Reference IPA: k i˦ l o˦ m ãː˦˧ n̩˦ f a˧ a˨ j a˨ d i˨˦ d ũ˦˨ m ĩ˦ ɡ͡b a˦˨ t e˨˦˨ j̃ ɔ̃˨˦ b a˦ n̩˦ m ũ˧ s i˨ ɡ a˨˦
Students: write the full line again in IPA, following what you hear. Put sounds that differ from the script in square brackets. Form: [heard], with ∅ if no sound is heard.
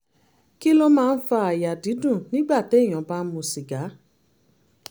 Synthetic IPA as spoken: k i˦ l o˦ m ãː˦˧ n̩˦ f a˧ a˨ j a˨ d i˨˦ d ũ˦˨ [n] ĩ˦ ɡ͡b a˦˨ t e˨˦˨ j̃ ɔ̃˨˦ b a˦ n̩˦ m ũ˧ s i˨ ɡ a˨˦